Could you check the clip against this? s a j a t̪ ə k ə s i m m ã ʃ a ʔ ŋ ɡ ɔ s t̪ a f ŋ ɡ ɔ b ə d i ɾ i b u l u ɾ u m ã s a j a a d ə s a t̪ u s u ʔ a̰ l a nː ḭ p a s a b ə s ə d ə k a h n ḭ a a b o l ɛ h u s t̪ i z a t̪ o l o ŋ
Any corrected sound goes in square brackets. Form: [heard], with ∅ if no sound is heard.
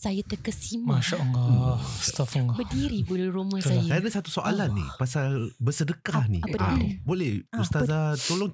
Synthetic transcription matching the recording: s a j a t̪ ə k ə s i m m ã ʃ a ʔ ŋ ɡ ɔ s t̪ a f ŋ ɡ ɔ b ə d i ɾ i b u l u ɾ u m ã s a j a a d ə s a t̪ u s [o] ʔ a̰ l a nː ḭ p a s a b ə s ə d ə k a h n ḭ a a b o l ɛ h u s t̪ [a] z a t̪ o l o ŋ